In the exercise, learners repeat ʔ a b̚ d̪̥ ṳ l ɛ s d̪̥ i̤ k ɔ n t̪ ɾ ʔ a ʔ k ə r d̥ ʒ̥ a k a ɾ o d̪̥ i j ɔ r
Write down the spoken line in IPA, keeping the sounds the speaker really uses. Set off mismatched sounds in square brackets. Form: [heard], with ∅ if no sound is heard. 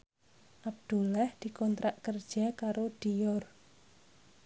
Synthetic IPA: ʔ a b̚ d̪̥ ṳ l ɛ [h] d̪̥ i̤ k ɔ n t̪ ɾ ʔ a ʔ k ə r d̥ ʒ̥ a k a ɾ o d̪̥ i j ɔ r